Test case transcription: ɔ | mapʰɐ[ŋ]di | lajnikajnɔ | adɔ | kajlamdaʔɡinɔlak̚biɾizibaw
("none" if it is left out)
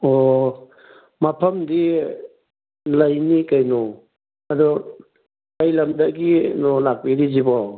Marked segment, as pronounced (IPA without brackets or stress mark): m